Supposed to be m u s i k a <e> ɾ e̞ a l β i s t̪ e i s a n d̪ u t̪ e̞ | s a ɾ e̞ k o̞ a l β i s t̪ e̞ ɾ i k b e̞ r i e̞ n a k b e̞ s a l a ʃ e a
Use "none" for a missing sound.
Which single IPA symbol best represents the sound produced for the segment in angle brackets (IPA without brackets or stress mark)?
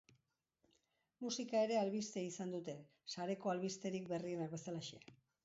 e